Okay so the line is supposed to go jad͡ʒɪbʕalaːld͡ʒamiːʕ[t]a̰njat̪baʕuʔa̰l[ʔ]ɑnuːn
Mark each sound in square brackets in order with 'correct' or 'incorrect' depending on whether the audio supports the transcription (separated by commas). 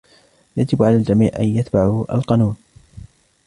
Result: incorrect, incorrect